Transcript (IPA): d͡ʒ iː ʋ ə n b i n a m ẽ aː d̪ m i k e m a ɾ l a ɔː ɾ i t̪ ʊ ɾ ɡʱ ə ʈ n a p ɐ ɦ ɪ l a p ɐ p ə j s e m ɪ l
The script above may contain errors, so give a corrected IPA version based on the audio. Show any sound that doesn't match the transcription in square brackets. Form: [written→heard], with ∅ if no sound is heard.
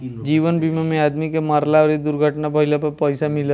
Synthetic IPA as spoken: d͡ʒ iː ʋ ə n b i [n→m] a m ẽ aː d̪ m i k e m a ɾ l a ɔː ɾ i [t̪→d̪] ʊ ɾ ɡʱ ə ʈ n a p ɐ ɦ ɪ l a p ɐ p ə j s [e→a] m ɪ l